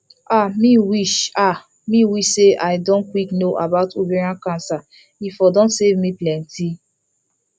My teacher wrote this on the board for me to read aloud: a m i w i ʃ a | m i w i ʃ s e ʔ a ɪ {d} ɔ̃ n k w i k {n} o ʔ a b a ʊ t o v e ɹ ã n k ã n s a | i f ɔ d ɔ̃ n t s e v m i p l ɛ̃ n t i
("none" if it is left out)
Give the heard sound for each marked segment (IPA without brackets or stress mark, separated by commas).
d, n